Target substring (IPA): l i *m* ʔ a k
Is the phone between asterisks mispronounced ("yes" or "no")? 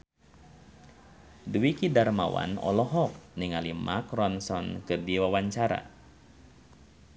no